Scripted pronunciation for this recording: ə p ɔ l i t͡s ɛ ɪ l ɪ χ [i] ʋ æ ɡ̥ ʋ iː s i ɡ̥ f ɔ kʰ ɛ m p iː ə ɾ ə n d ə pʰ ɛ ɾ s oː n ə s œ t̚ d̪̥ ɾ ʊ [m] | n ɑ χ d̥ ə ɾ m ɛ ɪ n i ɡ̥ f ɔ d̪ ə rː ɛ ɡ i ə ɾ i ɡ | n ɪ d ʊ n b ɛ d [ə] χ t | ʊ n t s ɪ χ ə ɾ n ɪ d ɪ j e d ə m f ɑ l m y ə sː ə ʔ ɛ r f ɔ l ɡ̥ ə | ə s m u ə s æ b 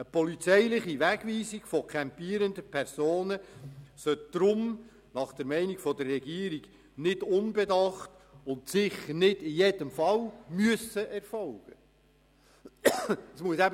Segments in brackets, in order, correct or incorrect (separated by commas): correct, correct, incorrect